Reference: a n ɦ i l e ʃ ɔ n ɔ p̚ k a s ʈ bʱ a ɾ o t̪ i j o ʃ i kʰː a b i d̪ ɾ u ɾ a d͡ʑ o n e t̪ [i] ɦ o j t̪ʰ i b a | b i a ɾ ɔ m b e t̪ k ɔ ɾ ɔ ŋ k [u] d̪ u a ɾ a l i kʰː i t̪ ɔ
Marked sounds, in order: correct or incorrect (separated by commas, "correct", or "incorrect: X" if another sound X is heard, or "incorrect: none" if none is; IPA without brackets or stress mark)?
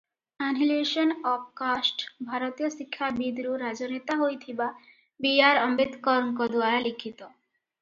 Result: incorrect: a, incorrect: ɔ